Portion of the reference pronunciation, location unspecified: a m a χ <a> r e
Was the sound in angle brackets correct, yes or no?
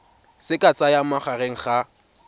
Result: yes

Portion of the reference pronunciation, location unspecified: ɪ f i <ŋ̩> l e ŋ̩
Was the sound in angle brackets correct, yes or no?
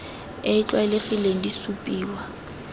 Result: no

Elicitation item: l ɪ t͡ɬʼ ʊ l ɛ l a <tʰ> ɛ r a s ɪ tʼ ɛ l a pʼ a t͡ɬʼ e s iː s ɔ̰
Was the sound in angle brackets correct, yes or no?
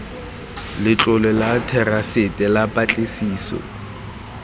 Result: yes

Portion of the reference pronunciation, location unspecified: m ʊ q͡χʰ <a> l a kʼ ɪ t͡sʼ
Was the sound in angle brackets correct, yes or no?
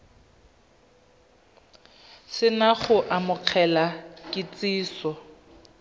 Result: no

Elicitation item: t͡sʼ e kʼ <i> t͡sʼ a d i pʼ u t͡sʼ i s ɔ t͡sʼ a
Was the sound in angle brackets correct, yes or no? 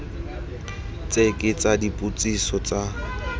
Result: no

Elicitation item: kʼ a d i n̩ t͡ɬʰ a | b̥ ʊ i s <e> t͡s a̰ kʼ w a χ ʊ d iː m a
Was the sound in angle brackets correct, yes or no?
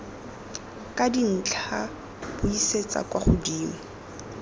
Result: yes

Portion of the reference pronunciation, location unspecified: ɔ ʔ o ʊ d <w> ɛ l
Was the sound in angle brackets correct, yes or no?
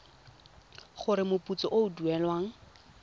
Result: no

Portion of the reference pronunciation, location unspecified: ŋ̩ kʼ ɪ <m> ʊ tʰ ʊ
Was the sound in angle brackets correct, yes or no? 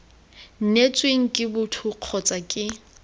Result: no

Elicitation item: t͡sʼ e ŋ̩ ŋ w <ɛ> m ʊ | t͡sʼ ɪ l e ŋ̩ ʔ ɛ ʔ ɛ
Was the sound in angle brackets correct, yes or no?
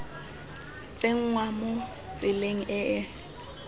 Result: no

